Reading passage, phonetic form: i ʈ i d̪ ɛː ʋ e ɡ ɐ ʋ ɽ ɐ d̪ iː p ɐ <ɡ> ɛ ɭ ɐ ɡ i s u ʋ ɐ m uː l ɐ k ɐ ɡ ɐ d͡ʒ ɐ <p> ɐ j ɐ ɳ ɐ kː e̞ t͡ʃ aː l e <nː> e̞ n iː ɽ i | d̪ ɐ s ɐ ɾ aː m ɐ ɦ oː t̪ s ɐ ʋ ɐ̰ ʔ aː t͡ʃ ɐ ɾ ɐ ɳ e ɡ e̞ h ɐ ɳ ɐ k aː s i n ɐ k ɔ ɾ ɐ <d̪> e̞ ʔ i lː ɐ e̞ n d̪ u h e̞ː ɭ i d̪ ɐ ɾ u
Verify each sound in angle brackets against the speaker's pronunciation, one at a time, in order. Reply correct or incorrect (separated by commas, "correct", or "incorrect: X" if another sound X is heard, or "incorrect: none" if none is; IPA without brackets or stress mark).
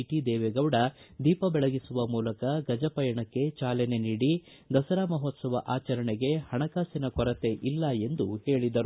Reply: incorrect: b, correct, incorrect: n, incorrect: t̪